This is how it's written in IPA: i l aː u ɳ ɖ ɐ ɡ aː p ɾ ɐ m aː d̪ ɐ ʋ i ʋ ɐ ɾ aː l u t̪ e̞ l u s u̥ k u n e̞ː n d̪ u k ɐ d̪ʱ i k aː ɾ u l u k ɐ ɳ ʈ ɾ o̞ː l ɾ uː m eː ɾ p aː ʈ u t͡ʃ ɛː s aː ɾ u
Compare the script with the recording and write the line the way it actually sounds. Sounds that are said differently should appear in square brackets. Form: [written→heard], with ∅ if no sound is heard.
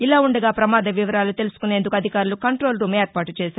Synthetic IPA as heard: i l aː u ɳ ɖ ɐ ɡ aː p ɾ ɐ m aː d̪ ɐ ʋ i ʋ ɐ ɾ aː l u t̪ e̞ l u s u̥ k u n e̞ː n d̪ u k ɐ d̪ʱ i k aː ɾ u l u k ɐ ɳ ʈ ɾ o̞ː l ɾ uː m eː ɾ p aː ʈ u t͡ʃ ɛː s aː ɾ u